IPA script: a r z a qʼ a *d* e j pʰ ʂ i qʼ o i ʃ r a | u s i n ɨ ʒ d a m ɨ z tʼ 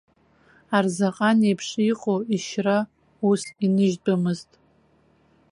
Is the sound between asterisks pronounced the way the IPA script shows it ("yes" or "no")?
no